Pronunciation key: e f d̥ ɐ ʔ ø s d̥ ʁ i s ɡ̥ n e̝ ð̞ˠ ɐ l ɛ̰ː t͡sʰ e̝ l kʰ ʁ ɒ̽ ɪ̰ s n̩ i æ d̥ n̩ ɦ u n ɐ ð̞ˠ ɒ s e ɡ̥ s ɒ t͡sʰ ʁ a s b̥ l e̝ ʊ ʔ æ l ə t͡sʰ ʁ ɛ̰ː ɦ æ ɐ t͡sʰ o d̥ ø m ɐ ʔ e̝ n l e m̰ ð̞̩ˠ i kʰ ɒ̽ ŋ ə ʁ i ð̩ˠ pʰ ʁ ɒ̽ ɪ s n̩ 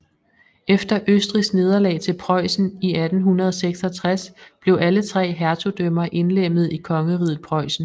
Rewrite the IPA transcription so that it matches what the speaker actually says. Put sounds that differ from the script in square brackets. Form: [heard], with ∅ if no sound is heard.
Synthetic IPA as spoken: e f d̥ ɐ ʔ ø s d̥ ʁ i s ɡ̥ n e̝ ð̞ˠ ɐ l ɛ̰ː t͡sʰ e̝ l [pʰ] ʁ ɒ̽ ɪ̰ s n̩ i æ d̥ n̩ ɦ u n ɐ ð̞ˠ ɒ s e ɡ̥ s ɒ t͡sʰ ʁ a s b̥ l e̝ ʊ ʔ æ l ə t͡sʰ ʁ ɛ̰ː ɦ æ ɐ t͡sʰ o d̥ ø m ɐ ʔ e̝ n l e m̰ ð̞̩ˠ i kʰ ɒ̽ ŋ ə ʁ i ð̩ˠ pʰ ʁ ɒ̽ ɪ s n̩